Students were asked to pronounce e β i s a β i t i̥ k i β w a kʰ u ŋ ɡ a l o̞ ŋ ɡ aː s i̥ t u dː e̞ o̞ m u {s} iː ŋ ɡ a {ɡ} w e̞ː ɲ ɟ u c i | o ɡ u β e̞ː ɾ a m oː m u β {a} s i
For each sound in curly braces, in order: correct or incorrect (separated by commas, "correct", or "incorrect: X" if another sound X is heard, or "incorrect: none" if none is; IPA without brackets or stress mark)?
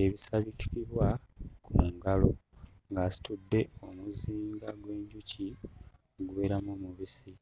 incorrect: z, correct, incorrect: i